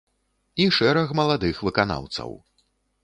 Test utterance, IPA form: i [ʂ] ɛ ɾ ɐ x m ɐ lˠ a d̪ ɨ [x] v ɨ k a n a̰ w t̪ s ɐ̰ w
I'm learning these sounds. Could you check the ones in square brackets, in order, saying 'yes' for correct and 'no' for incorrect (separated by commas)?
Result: yes, yes